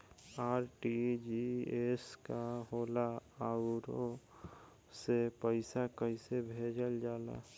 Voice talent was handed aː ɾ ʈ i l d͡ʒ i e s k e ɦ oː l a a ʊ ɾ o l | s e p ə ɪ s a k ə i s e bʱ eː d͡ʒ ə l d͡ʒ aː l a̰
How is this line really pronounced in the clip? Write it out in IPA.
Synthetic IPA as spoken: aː ɾ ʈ i d͡ʒ i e s k a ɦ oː l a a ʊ ɾ o | s e p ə ɪ s a k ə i s e bʱ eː d͡ʒ ə l d͡ʒ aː l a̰